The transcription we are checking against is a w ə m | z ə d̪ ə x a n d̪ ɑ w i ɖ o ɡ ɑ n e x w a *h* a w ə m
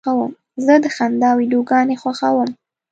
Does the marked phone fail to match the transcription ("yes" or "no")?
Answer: yes